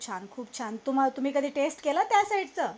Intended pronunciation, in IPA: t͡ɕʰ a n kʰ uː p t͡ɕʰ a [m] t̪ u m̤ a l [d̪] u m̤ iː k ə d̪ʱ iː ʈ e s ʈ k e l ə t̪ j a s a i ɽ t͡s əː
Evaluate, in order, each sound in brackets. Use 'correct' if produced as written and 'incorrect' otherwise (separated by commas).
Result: incorrect, incorrect